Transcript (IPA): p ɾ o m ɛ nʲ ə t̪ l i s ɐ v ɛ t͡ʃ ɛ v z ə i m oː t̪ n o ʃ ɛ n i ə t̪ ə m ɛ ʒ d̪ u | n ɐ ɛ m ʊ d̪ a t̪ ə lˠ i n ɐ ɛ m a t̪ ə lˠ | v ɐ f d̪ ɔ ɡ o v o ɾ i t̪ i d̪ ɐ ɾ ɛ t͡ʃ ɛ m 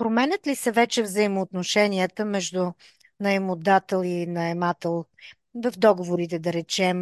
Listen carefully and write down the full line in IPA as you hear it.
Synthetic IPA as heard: p ɾ o m ɛ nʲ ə t̪ l i s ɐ v ɛ t͡ʃ ɛ v z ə i m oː t̪ n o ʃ ɛ n i ə t̪ ə m ɛ ʒ d̪ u | n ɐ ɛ m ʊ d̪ a t̪ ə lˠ i n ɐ ɛ m a t̪ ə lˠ | v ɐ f d̪ ɔ ɡ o v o ɾ i t̪ ɛ d̪ ɐ ɾ ɛ t͡ʃ ɛ m